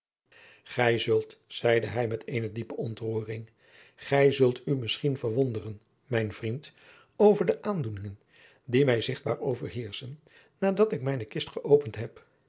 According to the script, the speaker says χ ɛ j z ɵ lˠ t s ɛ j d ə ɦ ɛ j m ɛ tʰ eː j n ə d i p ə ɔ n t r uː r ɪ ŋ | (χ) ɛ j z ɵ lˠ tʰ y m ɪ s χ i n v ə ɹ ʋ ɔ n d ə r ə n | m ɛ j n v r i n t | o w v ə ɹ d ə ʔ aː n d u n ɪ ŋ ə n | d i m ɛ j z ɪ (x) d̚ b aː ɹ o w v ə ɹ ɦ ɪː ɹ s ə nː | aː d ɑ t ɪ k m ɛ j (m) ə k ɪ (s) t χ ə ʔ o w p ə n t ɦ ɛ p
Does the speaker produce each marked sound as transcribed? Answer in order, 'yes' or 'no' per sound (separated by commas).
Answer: yes, no, no, yes